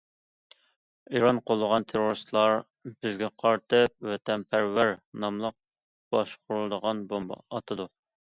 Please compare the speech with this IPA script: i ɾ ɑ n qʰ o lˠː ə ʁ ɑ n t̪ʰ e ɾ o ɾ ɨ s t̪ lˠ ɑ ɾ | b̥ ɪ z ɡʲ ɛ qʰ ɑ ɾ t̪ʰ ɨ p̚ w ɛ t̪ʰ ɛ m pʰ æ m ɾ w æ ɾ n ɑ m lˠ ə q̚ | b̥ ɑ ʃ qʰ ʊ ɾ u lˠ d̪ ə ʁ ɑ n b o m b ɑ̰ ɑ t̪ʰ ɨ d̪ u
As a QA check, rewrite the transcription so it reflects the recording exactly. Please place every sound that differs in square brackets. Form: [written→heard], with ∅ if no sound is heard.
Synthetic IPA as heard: i ɾ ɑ n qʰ o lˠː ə ʁ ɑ n t̪ʰ e ɾ o ɾ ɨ s t̪ lˠ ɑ ɾ | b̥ ɪ z ɡʲ ɛ qʰ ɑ ɾ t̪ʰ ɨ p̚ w ɛ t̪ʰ ɛ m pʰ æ [m→∅] ɾ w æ ɾ n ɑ m lˠ ə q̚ | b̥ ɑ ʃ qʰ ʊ ɾ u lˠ d̪ ə ʁ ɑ n b o m b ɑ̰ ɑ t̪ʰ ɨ d̪ u